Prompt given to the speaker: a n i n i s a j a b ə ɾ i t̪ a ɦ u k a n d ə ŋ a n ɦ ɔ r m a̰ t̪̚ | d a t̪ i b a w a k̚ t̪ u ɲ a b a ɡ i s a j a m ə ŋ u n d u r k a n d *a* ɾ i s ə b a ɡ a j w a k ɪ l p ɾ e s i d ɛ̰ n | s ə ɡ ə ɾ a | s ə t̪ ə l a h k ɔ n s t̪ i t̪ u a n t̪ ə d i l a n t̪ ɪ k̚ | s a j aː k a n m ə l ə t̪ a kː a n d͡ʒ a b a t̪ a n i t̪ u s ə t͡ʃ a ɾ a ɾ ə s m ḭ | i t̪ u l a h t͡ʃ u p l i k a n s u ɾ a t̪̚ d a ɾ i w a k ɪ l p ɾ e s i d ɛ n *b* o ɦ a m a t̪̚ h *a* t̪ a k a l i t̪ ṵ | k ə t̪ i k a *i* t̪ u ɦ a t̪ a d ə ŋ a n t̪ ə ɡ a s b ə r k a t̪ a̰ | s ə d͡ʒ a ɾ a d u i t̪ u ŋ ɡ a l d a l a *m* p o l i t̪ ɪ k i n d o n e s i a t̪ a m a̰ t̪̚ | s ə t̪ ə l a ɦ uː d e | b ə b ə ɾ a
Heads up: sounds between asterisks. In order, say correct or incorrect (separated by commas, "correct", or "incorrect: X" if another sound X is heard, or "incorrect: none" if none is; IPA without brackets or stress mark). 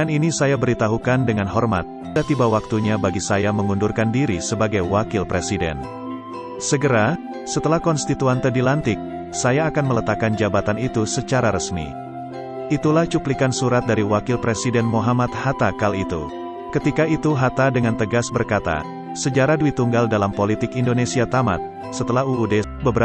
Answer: incorrect: i, incorrect: m, correct, correct, correct